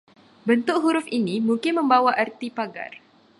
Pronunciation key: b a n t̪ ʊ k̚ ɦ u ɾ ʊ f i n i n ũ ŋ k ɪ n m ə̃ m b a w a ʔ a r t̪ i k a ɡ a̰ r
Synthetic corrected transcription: b ə n t̪ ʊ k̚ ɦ u ɾ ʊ f i n i m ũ ŋ k ɪ n m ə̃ m b a w a ʔ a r t̪ i p a ɡ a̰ r